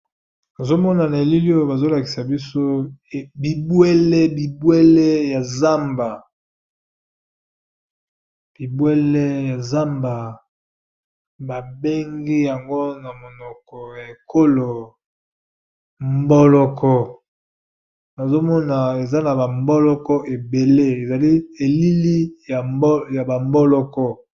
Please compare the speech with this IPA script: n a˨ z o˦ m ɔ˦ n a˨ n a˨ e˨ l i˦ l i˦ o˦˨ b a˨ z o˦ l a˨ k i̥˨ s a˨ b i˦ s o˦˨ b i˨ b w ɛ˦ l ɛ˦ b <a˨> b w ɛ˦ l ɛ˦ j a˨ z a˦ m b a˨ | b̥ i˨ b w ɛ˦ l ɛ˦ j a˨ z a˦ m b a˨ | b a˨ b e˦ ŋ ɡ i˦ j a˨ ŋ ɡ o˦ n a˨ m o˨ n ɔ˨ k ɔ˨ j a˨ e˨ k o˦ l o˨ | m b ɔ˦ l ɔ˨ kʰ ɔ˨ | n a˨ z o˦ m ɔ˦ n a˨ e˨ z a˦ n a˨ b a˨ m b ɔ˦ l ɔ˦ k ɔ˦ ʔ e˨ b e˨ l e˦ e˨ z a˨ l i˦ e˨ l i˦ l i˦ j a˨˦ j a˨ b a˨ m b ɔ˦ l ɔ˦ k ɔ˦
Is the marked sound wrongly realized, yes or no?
yes